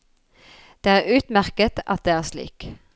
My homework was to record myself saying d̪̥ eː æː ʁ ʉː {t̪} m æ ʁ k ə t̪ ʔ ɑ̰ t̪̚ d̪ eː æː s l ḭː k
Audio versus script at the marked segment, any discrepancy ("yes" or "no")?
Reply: no